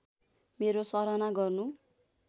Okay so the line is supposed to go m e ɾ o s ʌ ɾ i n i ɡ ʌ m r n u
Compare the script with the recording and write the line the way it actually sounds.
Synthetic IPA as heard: m e ɾ o s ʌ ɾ a n a ɡ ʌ r n u

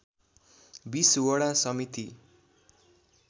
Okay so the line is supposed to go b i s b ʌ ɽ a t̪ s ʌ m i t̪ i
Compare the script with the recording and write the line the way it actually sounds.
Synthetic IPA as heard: b i s w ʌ ɽ a s ʌ m i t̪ i

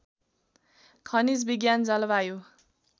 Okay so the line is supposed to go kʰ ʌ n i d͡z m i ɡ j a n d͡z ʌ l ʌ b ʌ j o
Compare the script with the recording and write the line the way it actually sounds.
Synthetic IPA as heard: kʰ ʌ n i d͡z b i ɡ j a n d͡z ʌ l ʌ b a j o

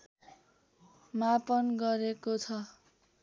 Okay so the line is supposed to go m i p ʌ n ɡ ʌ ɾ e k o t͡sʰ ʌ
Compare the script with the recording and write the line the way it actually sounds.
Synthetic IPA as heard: m a p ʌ n ɡ ʌ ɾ e k o t͡sʰ ʌ

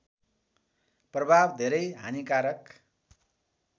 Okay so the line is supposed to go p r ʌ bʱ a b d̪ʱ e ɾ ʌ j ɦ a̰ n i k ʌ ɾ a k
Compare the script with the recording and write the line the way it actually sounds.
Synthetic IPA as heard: p r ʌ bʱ a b d̪ʱ e ɾ ʌ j ɦ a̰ n i k a ɾ ʌ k

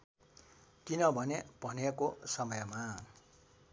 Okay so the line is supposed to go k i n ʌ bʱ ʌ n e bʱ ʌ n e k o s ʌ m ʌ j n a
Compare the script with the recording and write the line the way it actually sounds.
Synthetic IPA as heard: k i n ʌ bʱ ʌ n e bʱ ʌ n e k o s ʌ m ʌ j m a

